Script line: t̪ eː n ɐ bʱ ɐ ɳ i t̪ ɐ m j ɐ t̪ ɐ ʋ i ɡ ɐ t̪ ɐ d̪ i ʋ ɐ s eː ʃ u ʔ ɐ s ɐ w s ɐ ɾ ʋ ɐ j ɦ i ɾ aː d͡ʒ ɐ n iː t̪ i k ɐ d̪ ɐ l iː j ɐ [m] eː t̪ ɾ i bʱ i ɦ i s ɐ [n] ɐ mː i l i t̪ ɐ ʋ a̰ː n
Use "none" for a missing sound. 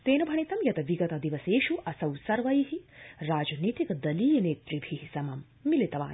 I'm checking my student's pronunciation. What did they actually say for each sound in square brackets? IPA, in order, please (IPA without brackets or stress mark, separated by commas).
n, m